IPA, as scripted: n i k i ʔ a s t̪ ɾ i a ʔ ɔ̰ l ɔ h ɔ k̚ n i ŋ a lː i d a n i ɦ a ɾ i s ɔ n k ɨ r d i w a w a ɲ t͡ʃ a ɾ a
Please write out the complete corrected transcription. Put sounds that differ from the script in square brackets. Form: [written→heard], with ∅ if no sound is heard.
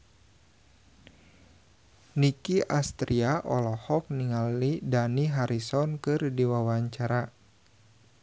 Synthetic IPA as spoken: n i k i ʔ a s t̪ ɾ i a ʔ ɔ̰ l ɔ h ɔ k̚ n i ŋ a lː i d a n i ɦ a ɾ i s ɔ n k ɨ r d i w a w a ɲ t͡ʃ a ɾ a